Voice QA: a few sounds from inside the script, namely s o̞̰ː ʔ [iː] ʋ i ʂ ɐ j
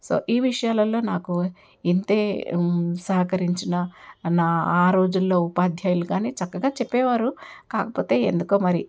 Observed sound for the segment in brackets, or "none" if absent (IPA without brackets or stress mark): iː